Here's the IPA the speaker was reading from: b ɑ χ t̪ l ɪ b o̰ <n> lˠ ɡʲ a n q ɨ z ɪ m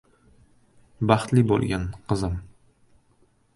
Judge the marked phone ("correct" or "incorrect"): incorrect